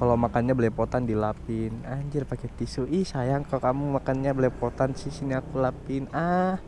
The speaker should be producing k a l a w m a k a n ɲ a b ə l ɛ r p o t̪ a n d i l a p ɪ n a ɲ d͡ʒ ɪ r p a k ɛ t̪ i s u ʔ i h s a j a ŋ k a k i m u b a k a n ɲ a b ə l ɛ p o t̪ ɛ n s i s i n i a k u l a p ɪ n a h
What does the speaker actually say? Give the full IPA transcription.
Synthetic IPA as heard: k a l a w m a k a n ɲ a b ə l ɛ p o t̪ a n d i l a p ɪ n a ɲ d͡ʒ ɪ r p a k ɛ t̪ i s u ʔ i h s a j a ŋ k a k a m u m a k a n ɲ a b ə l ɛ p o t̪ a n s i s i n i a k u l a p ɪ n a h